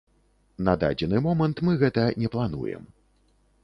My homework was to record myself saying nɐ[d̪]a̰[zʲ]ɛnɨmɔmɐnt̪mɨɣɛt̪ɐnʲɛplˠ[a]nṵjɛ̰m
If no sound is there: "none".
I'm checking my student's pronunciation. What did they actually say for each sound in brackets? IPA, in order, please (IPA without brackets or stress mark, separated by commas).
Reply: d̪, d͡zʲ, a